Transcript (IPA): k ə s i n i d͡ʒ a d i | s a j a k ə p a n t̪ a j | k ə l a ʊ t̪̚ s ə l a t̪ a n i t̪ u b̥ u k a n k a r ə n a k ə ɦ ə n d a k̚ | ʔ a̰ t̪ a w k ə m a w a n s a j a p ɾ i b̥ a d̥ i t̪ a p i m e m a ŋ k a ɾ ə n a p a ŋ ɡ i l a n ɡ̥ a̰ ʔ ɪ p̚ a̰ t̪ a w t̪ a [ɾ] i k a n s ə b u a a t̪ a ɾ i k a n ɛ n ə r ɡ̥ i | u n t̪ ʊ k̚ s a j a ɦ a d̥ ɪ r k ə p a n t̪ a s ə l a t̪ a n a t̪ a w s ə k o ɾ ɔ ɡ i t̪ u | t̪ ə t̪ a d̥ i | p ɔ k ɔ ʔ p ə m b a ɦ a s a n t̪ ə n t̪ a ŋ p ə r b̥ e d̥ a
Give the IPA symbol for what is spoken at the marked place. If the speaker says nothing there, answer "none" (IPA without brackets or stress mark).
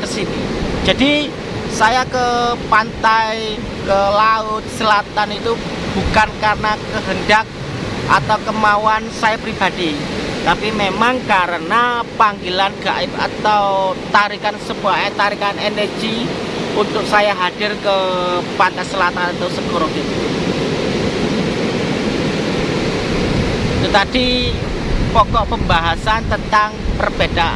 ɾ